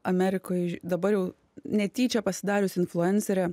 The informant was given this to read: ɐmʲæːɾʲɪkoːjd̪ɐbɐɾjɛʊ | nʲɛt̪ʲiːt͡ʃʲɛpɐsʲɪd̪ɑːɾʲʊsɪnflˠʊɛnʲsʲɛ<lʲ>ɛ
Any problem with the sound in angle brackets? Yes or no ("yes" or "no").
yes